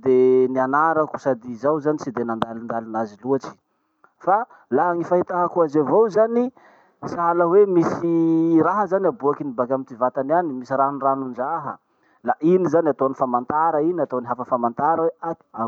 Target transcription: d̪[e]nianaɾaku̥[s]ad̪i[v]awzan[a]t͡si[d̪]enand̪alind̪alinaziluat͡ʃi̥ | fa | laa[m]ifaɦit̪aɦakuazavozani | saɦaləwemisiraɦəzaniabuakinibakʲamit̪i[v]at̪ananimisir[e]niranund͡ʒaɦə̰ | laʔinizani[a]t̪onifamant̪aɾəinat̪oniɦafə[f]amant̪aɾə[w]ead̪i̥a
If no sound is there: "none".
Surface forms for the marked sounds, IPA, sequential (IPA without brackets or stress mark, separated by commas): e, s, z, i, d̪, ŋ, v, a, a, f, w